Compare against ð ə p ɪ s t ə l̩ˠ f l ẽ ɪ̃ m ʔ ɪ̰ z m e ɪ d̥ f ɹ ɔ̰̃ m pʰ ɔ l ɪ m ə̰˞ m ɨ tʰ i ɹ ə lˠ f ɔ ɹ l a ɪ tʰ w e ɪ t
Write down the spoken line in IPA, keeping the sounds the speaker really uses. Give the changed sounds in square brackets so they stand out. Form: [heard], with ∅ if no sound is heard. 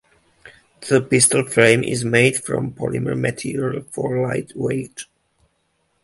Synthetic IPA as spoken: ð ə p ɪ s t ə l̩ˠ f [ɹ] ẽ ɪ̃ m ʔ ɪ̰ z m e ɪ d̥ f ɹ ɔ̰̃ m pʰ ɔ l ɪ m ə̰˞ m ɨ tʰ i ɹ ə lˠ f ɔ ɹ l a ɪ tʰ w e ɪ t